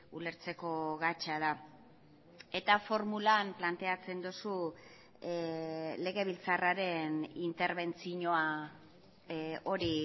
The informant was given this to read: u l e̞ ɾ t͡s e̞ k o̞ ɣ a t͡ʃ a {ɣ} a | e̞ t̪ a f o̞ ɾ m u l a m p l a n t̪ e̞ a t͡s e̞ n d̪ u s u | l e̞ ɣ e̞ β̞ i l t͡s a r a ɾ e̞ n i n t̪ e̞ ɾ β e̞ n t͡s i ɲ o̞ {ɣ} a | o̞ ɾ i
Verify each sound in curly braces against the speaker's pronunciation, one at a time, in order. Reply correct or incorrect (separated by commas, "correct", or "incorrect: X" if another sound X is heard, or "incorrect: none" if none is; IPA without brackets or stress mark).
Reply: incorrect: ð, incorrect: none